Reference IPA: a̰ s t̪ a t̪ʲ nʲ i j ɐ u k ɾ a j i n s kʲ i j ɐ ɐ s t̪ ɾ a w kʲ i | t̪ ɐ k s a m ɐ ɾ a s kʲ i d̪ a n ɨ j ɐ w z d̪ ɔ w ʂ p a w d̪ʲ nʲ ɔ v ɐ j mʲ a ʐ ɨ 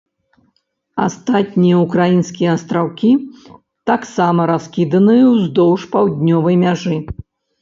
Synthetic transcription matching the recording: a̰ s t̪ a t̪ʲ nʲ i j ɐ u k ɾ a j i n s kʲ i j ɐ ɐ s t̪ ɾ a w kʲ i | t̪ a k s a m ɐ ɾ a s kʲ i d̪ ɐ n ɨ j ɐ w z d̪ ɔ w ʂ p a w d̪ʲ nʲ ɔ v ɐ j mʲ a ʐ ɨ